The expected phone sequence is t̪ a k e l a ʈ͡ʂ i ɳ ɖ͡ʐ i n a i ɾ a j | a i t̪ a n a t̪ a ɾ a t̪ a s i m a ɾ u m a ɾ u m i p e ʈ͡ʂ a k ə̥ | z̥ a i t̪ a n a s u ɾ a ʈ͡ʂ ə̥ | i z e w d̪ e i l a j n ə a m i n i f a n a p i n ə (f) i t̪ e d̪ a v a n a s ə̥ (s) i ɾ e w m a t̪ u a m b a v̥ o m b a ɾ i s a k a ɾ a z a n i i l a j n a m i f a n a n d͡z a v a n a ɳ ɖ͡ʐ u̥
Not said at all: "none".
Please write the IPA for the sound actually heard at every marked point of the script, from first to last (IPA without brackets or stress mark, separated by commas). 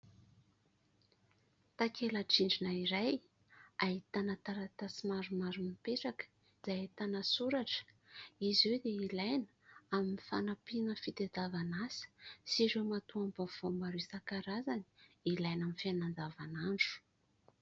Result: f, s